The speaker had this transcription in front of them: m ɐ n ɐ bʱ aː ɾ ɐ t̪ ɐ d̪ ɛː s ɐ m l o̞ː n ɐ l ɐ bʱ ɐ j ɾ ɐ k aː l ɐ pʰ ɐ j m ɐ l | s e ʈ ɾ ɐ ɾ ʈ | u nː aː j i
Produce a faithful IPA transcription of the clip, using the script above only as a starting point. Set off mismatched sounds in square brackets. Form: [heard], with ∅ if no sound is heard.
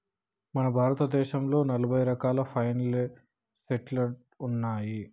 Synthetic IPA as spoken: m ɐ n ɐ bʱ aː ɾ ɐ t̪ ɐ d̪ ɛː [ʃ] ɐ m l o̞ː n ɐ l ɐ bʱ ɐ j ɾ ɐ k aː l ɐ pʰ ɐ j [n] ɐ l | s e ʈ [l] ɐ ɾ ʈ | u nː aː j i